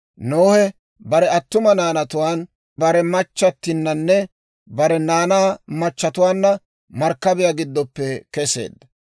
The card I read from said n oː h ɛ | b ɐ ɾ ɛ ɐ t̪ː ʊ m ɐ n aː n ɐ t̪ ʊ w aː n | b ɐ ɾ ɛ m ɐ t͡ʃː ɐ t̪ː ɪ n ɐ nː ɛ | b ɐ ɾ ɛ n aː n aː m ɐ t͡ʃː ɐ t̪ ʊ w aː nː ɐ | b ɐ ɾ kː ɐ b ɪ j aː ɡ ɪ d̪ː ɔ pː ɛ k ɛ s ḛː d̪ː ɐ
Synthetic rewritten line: n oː h ɛ | b ɐ ɾ ɛ ɐ t̪ː ʊ m ɐ n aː n ɐ t̪ ʊ w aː n | b ɐ ɾ ɛ m ɐ t͡ʃː ɐ t̪ː ɪ nː ɐ nː ɛ | b ɐ ɾ ɛ n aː n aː m ɐ t͡ʃː ɐ t̪ ʊ w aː nː ɐ | m ɐ ɾ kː ɐ b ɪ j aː ɡ ɪ d̪ː ɔ pː ɛ k ɛ s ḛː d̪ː ɐ